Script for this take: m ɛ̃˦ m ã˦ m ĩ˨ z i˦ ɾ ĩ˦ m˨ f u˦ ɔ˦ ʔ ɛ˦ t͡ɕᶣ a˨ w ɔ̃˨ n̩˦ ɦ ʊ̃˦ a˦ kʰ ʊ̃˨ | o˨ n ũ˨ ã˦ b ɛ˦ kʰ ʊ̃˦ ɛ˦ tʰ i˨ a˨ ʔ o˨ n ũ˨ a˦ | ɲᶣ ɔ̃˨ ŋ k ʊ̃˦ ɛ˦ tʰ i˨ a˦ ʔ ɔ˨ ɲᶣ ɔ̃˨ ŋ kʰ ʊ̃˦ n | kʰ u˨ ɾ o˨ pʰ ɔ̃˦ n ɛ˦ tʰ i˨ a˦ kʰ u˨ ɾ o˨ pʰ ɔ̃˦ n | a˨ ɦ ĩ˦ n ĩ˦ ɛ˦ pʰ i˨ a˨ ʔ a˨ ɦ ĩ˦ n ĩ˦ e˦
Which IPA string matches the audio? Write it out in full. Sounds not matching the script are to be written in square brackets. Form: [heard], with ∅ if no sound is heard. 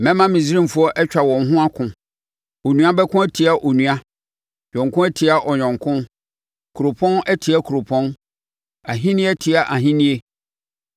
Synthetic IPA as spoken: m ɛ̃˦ m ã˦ m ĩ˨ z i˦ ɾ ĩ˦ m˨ f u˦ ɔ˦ ʔ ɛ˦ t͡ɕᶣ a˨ w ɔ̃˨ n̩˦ ɦ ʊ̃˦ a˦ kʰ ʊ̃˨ | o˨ n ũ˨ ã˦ b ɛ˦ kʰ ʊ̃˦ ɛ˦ tʰ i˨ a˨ ʔ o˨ n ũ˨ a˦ | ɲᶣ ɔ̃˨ ŋ k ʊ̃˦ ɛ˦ tʰ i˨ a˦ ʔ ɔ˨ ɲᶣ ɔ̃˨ ŋ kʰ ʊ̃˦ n | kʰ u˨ ɾ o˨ pʰ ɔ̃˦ n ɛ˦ tʰ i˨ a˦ kʰ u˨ ɾ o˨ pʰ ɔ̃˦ n | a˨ ɦ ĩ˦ n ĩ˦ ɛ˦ [tʰ] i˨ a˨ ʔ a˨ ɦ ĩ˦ n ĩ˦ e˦

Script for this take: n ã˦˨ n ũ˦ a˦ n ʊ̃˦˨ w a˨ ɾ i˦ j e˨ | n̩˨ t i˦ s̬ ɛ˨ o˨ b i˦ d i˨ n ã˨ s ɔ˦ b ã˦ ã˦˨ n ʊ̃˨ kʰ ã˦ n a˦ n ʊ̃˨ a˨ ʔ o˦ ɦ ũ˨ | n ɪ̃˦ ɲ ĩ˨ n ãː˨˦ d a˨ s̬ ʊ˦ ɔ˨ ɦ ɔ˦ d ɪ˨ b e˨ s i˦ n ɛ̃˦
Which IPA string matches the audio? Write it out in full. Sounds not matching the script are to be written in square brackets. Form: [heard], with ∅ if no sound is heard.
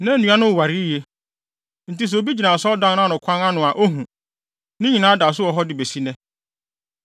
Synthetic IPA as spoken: n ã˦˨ n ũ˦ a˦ n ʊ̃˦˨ w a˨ ɾ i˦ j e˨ | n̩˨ t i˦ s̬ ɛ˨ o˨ b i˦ [d͡ʑ] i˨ n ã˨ s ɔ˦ [d] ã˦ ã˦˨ n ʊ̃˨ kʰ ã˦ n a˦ n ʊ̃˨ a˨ ʔ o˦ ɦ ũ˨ | n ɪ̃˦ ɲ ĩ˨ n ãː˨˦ d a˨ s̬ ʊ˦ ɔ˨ ɦ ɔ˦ d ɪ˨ b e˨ s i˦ n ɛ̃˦

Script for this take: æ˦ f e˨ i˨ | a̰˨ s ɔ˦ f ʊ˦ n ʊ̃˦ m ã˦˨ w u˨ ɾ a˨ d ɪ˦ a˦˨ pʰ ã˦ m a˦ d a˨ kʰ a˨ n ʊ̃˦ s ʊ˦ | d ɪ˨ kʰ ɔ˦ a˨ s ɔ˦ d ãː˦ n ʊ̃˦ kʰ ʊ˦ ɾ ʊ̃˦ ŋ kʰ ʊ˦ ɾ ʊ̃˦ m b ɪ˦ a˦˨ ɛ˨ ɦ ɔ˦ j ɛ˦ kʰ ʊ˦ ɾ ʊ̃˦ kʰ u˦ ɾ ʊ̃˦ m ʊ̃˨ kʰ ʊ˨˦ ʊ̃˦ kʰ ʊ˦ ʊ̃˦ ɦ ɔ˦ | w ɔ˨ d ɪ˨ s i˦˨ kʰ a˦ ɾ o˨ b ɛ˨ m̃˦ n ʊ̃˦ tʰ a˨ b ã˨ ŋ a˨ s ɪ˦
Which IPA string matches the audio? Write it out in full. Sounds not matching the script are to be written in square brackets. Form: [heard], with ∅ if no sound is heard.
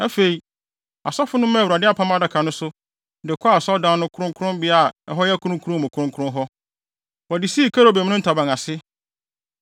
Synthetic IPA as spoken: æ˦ f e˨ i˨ | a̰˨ s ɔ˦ f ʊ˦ n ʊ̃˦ m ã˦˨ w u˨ ɾ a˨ d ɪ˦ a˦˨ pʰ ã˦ m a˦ d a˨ kʰ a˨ n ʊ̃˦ s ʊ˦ | d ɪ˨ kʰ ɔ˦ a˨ s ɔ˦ d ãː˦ n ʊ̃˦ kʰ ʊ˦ ɾ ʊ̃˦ ŋ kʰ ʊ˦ ɾ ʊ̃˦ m b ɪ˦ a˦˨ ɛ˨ ɦ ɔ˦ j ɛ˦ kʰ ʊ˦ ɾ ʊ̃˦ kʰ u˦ ɾ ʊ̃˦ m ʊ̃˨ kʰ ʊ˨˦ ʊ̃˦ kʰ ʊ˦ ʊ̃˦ ɦ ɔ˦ | w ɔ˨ d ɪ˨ s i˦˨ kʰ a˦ ɾ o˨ b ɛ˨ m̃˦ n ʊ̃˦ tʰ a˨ b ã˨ ŋ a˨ s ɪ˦

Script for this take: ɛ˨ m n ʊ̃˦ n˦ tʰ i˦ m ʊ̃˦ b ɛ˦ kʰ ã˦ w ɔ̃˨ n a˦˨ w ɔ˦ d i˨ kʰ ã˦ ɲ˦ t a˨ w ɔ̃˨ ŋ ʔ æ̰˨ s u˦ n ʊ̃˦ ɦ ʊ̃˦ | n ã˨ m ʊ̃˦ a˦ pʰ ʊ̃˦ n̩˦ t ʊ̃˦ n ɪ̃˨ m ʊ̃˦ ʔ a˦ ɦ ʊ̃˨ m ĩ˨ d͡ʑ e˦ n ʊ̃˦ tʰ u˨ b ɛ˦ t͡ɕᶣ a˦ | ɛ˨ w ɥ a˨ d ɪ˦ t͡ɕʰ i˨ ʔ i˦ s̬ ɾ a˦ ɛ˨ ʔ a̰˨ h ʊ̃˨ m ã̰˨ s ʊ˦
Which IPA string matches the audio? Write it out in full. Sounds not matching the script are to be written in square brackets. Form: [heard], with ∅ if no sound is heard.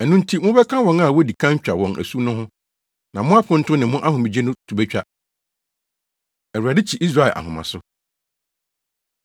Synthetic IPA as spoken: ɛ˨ [∅] n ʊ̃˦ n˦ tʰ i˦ m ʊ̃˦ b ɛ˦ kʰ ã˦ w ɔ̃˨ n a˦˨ w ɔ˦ d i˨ kʰ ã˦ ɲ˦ [t͡ɕᶣ] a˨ w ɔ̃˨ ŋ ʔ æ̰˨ s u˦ n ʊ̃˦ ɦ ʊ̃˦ | n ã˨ m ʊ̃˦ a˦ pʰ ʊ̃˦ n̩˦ t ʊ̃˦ n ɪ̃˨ m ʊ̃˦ ʔ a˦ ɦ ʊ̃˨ m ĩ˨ d͡ʑ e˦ n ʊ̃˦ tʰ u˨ b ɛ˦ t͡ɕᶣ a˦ | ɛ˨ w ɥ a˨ d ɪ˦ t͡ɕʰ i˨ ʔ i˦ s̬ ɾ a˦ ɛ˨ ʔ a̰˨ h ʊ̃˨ m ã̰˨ s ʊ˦

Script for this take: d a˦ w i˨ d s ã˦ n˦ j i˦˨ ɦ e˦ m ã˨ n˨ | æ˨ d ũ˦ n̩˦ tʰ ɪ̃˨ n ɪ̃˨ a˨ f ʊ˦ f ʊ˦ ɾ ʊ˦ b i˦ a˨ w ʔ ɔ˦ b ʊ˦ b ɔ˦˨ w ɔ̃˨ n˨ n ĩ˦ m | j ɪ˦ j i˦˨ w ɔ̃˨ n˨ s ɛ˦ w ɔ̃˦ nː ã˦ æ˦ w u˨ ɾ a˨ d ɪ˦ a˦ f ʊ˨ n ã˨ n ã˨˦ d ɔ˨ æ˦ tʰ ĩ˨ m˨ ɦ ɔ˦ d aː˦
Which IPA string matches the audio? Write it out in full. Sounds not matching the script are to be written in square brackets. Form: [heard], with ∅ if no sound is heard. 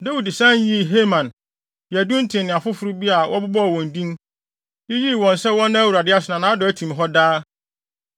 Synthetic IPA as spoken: d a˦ w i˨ d s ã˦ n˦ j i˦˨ ɦ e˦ m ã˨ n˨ | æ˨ d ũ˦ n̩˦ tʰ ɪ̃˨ n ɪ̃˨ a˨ f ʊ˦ f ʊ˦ ɾ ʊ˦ b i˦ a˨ w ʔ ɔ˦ b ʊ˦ b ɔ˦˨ w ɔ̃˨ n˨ [d] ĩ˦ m | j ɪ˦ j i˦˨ w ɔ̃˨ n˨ s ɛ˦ w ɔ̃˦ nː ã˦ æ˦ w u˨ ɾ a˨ d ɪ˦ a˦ [s] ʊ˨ n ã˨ n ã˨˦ d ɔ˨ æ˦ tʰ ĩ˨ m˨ ɦ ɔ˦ d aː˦

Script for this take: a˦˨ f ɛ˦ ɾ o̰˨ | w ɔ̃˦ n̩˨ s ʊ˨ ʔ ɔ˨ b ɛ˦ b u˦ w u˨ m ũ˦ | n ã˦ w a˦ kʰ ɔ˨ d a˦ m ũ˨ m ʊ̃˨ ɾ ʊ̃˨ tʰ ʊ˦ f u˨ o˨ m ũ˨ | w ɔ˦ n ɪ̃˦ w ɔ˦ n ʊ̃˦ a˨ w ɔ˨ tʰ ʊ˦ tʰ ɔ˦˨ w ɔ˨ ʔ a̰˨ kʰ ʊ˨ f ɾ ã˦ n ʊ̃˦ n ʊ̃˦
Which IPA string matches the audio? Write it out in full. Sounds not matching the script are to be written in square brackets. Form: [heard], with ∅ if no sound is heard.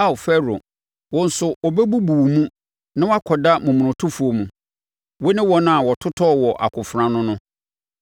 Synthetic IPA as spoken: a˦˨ f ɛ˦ ɾ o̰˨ | w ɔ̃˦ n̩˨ s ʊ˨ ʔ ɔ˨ b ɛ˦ b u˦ [b] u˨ m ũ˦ | n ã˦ w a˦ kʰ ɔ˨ d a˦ m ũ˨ m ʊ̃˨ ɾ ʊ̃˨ tʰ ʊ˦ f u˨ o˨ m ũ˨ | w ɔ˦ n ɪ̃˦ w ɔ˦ n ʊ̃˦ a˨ w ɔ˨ tʰ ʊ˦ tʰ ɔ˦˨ w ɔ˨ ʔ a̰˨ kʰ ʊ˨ f ɾ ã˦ n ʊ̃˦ n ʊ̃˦

